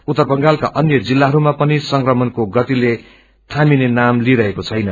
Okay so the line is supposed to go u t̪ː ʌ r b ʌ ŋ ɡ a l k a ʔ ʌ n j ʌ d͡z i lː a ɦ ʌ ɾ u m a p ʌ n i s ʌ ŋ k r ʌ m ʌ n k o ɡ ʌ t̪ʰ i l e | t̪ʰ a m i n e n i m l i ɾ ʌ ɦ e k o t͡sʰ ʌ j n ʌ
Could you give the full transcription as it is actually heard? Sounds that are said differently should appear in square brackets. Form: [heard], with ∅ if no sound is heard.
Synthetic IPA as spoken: u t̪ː ʌ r b ʌ ŋ ɡ a l k a ʔ ʌ n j ʌ d͡z i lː a ɦ ʌ ɾ u m a p ʌ n i s ʌ ŋ k r ʌ m ʌ n k o ɡ ʌ [t̪] i l e | t̪ʰ a m i n e n [a] m l i ɾ ʌ ɦ e k o t͡sʰ ʌ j n ʌ